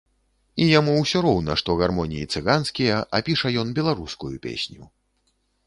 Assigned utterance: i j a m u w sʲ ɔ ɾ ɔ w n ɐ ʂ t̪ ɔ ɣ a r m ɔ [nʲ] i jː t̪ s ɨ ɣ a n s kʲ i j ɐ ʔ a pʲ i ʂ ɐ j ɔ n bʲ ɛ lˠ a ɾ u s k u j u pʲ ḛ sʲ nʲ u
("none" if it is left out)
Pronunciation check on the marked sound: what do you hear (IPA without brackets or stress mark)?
nʲ